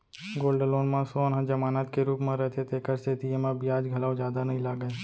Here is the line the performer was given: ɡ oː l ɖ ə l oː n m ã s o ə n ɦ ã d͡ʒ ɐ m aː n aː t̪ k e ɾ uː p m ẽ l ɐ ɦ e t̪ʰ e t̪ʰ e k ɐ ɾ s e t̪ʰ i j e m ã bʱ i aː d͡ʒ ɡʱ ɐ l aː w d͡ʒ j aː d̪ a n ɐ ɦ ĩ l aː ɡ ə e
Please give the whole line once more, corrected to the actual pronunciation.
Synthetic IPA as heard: ɡ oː l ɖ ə l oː n m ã s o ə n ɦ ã d͡ʒ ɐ m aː n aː t̪ k e ɾ uː p m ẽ ɾ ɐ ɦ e t̪ʰ e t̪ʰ e k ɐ ɾ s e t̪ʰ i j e m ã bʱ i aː d͡ʒ ɡʱ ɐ l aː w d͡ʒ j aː d̪ a n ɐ ɦ ĩ l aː ɡ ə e